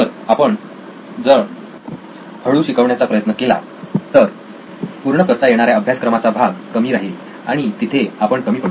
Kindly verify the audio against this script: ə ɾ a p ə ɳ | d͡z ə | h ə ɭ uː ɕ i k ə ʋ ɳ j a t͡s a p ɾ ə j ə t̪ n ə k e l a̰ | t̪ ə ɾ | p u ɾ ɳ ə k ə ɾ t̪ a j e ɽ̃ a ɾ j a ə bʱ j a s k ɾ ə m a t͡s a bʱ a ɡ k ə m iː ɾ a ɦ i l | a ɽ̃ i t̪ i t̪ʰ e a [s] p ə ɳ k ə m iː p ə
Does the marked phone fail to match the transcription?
yes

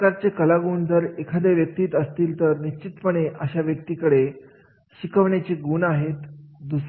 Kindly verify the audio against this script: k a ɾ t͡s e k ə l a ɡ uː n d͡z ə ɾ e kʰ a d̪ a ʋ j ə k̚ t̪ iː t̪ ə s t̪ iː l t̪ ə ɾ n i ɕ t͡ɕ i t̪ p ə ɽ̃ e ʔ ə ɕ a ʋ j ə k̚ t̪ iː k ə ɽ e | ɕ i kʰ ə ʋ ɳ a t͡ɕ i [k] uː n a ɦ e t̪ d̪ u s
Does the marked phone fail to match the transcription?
yes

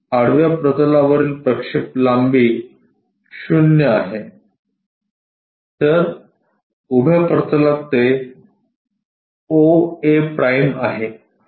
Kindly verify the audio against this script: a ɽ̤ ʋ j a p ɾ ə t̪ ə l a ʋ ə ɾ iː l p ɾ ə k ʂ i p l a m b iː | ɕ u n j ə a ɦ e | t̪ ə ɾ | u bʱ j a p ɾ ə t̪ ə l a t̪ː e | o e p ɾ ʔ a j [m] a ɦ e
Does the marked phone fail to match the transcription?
no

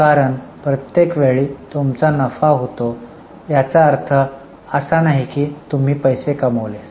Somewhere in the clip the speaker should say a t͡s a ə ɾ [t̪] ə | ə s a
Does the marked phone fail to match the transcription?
yes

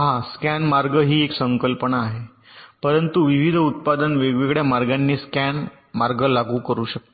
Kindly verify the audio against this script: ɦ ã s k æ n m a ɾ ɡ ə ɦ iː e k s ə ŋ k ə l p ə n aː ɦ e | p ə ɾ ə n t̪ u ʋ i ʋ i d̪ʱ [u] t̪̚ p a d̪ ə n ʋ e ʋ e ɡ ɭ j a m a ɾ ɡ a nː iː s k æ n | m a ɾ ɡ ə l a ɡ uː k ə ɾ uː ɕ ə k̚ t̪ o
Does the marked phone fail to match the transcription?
no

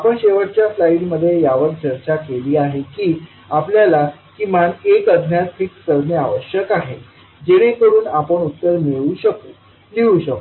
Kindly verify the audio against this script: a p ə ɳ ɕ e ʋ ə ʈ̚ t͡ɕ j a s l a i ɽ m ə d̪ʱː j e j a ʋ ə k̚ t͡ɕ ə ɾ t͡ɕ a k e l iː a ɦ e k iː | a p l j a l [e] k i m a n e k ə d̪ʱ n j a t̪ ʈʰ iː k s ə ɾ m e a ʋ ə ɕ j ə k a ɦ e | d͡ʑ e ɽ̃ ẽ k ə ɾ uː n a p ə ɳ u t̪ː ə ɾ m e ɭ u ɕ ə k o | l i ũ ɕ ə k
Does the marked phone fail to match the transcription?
yes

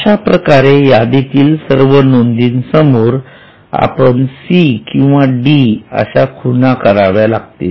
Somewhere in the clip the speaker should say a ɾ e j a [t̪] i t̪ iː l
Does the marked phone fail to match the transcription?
yes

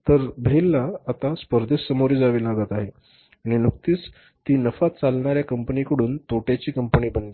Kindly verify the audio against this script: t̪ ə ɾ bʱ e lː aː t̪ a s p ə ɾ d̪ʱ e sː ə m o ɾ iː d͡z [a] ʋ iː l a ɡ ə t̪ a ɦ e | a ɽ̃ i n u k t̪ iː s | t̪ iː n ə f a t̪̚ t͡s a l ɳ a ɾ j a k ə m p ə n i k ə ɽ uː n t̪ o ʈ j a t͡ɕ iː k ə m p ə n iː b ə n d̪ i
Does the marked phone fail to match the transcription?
no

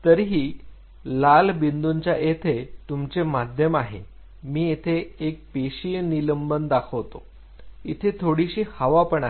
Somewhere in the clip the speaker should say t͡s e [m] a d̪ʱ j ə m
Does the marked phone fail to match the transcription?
no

